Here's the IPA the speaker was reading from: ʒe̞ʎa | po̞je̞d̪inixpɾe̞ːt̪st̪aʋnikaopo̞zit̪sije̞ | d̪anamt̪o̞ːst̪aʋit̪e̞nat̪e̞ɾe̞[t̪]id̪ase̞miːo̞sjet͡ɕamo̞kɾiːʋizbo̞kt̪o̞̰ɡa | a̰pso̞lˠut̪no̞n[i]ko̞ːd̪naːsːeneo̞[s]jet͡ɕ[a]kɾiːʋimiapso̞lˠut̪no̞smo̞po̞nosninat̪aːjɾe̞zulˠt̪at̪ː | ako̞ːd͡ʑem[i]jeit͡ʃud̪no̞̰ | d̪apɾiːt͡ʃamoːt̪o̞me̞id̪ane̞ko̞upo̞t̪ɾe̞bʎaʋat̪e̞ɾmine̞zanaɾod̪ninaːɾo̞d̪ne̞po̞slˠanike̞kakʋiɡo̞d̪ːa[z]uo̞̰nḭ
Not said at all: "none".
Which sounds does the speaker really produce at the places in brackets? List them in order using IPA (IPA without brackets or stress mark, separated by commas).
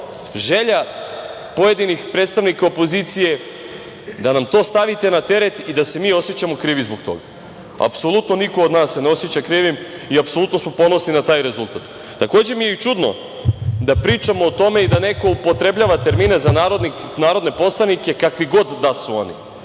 t̪, i, s, a, i, s